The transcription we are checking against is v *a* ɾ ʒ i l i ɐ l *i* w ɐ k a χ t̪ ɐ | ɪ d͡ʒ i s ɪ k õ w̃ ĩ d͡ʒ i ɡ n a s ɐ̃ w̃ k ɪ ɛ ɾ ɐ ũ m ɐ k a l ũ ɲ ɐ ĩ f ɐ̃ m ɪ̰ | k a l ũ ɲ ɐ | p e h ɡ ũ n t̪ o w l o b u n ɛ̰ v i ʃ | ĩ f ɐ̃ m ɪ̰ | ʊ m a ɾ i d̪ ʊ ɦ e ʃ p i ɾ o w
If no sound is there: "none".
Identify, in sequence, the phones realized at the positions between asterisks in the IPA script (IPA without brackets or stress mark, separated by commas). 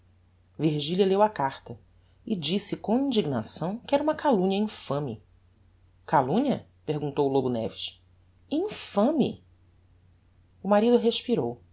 i, e